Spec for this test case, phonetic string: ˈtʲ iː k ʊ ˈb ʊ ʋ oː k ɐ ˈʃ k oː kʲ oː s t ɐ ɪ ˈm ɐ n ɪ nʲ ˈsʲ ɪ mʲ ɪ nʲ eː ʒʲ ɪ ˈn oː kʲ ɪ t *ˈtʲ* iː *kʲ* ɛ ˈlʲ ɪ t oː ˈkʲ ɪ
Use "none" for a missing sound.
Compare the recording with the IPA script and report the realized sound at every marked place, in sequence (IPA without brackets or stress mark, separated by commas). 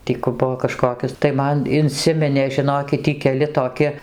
tʲ, kʲ